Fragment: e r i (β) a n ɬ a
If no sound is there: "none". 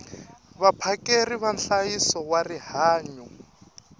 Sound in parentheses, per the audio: β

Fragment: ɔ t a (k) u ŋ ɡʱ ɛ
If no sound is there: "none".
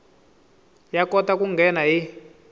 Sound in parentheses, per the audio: k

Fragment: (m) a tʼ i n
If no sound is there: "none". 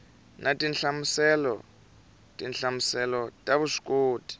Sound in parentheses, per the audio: n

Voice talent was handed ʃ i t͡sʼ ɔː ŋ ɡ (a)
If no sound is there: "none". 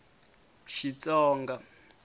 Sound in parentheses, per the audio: a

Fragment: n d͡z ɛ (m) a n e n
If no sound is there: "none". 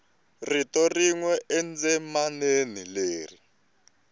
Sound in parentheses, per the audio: m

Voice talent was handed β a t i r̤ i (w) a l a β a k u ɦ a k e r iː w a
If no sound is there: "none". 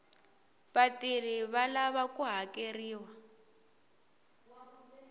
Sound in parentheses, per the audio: β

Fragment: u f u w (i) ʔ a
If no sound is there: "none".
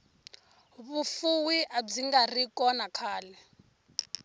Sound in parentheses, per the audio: i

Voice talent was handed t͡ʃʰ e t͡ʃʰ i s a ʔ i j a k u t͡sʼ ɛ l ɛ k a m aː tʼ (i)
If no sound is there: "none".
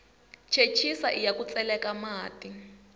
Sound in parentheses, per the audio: i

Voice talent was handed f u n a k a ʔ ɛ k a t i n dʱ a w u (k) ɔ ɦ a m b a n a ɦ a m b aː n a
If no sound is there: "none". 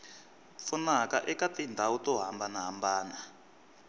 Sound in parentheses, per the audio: t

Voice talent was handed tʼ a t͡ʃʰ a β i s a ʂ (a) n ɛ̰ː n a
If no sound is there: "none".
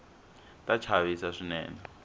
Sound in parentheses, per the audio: i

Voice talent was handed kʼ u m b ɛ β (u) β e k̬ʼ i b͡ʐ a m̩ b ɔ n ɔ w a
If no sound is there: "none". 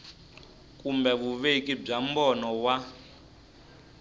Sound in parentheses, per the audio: u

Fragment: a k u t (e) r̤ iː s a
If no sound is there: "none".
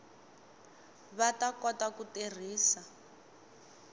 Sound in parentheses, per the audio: e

